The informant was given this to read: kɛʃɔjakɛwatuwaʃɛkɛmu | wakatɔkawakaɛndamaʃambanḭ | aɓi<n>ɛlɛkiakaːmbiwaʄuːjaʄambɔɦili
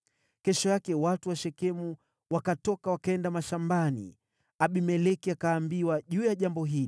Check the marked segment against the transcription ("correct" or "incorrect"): incorrect